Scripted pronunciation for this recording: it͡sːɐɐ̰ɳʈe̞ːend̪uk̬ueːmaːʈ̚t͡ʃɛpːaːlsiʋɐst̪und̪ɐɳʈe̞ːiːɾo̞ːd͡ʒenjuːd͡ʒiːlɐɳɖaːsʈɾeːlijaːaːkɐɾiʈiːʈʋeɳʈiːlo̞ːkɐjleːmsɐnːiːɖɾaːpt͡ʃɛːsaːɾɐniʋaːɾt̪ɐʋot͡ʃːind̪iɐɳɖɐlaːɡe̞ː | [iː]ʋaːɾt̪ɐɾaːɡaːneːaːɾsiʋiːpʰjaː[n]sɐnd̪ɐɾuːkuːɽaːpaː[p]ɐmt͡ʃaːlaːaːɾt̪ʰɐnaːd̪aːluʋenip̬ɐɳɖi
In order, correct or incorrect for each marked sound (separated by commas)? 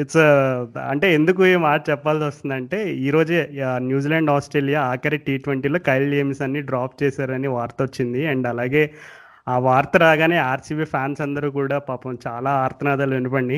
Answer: incorrect, correct, correct